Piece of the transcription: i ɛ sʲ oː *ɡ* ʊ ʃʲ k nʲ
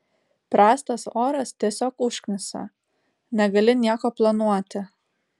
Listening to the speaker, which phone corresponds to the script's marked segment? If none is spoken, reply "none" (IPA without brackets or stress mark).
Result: k